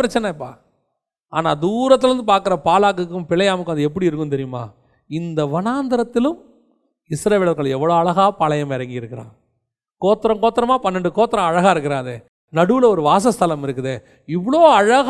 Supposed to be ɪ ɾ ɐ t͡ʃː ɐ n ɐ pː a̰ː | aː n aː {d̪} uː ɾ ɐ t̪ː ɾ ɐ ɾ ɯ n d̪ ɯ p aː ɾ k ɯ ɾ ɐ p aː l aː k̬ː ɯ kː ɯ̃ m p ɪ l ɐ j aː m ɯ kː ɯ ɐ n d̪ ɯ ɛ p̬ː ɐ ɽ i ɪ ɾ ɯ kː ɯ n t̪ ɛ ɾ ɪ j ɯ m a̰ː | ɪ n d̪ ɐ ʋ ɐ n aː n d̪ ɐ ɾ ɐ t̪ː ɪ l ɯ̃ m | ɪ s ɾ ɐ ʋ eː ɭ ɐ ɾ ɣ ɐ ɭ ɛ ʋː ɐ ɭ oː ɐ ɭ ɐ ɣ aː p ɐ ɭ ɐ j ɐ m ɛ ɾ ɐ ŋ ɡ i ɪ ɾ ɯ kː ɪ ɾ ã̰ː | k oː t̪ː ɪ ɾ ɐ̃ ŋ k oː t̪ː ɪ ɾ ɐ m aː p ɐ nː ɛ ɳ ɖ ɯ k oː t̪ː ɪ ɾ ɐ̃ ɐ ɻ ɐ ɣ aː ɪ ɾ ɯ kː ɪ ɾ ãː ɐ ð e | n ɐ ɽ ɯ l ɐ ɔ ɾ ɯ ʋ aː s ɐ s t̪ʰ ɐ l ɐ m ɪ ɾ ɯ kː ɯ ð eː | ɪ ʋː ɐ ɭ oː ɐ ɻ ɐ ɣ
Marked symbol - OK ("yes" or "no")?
yes